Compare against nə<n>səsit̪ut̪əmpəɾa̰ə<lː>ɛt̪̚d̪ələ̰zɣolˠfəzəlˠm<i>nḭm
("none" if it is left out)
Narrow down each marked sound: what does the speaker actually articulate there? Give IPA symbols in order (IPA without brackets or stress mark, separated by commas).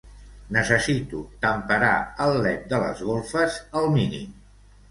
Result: none, lː, i